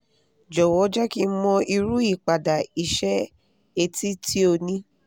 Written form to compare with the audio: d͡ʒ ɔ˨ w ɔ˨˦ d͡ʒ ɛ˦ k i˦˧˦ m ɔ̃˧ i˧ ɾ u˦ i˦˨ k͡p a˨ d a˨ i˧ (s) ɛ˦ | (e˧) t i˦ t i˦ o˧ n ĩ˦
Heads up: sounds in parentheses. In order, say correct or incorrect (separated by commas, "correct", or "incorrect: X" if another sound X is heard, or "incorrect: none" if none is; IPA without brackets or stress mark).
incorrect: ʃ, correct